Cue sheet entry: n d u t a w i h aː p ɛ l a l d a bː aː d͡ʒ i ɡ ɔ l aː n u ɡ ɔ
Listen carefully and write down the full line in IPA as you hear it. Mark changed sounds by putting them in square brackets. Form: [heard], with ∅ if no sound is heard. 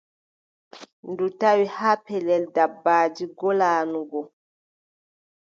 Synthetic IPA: n d u t a w i h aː p ɛ l [ɛ] l d a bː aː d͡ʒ i ɡ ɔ l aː n u ɡ ɔ